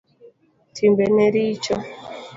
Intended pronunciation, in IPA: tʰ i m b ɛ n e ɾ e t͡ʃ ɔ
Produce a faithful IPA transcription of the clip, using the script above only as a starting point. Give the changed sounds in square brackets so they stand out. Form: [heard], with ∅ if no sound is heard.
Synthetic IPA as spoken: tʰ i m b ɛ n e ɾ [i] t͡ʃ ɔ